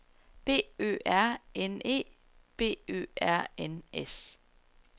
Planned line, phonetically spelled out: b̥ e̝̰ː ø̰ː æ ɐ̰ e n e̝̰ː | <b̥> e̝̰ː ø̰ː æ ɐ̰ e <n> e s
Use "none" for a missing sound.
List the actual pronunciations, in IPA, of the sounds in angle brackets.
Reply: b̥, n

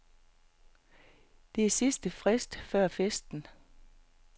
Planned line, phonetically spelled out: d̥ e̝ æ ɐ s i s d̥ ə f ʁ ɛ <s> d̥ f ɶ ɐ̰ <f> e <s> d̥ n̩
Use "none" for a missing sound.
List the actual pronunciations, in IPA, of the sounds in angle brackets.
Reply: s, f, s

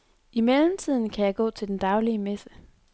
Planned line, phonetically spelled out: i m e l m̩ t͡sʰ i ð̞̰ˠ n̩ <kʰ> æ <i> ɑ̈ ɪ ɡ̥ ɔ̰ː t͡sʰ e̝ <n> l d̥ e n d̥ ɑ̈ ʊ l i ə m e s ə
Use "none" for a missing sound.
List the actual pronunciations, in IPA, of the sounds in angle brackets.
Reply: kʰ, j, none

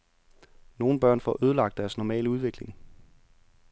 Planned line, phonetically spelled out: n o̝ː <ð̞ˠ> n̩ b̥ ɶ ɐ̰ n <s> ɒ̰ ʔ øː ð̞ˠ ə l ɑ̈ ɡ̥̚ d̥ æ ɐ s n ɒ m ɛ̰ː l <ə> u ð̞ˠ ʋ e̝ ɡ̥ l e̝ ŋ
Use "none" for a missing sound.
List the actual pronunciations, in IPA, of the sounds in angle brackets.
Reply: none, f, ə

